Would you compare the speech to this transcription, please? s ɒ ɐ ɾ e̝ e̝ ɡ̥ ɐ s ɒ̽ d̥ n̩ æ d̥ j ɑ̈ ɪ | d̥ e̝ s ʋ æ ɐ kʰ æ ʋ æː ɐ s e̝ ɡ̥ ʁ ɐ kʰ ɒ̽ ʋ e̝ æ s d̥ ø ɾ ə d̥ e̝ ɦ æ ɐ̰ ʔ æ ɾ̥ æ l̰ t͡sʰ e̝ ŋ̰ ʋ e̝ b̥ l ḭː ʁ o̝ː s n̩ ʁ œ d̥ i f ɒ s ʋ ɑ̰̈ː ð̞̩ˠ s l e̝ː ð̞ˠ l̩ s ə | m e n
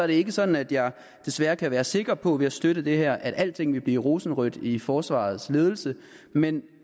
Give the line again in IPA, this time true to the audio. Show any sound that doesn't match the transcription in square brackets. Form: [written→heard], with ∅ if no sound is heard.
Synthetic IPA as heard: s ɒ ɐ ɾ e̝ e̝ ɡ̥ [ɐ→ə] s ɒ̽ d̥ n̩ æ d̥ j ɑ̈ ɪ | d̥ e̝ s ʋ æ ɐ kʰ æ ʋ æː ɐ s e̝ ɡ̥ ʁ ɐ [kʰ→pʰ] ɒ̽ ʋ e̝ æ s d̥ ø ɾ ə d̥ e̝ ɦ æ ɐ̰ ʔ æ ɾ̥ æ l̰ t͡sʰ e̝ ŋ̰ ʋ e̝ b̥ l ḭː ʁ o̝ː s n̩ ʁ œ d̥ i f [ɒ→ɒː] s ʋ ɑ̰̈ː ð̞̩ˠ s l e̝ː ð̞ˠ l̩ s ə | m e n